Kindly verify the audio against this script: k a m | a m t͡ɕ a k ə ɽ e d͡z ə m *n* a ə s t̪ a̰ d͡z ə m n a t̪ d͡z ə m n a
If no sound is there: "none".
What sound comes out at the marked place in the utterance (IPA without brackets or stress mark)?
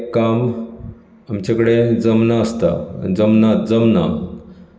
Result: n